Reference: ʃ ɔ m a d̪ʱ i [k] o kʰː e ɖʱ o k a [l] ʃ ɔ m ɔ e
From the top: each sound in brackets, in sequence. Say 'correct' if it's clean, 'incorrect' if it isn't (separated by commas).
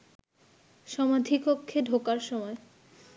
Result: correct, incorrect